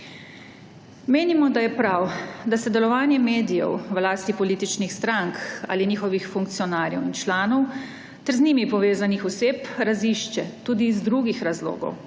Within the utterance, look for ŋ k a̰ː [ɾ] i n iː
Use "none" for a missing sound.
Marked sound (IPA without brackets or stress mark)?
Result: l